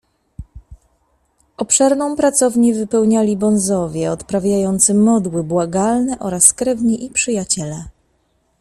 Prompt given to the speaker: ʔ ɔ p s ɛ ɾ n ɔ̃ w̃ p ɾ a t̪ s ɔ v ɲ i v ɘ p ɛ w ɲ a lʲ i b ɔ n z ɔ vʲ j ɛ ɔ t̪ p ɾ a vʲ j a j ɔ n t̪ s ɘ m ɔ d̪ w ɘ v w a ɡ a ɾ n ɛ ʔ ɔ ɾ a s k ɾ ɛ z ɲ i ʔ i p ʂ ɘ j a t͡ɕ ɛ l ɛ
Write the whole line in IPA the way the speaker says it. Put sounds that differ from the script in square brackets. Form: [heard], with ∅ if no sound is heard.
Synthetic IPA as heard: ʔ ɔ p [ʂ] ɛ ɾ n ɔ̃ w̃ p ɾ a t̪ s ɔ v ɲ i v ɘ p ɛ w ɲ a lʲ i b ɔ n z ɔ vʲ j ɛ ɔ t̪ p ɾ a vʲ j a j ɔ n t̪ s ɘ m ɔ d̪ w ɘ [b] w a ɡ a [l] n ɛ ʔ ɔ ɾ a s k ɾ ɛ [v] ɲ i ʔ i p ʂ ɘ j a t͡ɕ ɛ l ɛ